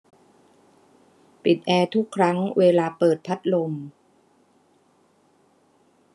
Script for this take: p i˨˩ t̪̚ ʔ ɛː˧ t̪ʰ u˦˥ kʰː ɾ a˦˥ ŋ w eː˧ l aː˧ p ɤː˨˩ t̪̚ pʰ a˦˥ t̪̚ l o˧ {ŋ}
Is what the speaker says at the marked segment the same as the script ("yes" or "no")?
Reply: no